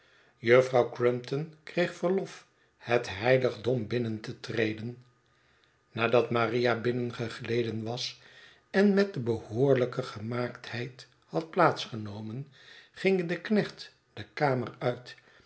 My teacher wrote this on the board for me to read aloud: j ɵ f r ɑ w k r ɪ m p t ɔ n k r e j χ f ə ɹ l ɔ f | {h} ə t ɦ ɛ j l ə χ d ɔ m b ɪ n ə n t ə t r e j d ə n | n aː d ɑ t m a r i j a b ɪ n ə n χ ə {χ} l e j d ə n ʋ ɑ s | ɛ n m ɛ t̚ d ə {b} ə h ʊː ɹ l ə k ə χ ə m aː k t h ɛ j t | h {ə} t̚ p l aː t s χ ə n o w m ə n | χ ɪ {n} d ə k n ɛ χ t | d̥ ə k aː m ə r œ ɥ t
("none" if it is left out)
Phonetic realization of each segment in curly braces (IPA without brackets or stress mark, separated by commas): h, χ, b, ɑ, ŋ